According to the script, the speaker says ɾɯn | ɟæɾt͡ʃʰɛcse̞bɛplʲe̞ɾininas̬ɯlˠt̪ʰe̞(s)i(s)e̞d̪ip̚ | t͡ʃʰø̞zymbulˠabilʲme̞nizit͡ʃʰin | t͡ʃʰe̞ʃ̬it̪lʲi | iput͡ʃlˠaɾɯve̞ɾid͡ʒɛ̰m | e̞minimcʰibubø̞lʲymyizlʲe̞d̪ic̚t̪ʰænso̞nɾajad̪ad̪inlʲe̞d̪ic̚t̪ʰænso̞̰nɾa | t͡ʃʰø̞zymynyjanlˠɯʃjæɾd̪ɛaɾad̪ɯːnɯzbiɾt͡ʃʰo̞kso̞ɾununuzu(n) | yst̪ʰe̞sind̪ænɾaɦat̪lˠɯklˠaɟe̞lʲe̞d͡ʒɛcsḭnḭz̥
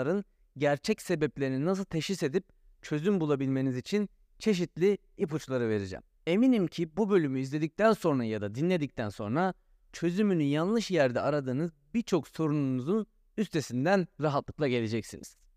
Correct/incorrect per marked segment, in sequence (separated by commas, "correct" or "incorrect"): incorrect, correct, correct